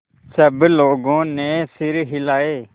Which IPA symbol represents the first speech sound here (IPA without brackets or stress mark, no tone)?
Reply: s